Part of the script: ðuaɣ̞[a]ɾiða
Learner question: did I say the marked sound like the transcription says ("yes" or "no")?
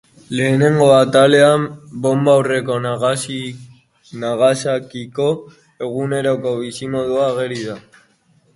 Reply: no